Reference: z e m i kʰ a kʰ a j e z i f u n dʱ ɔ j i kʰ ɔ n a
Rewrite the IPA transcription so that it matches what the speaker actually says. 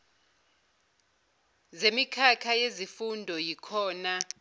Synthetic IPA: z e m i kʰ a kʰ a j e z i f u n dʱ ɔ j i kʰ ɔː n a